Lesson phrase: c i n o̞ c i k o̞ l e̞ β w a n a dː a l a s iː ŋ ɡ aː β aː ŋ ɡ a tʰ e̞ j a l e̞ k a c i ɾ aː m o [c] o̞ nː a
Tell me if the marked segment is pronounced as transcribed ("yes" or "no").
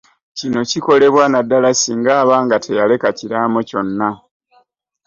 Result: yes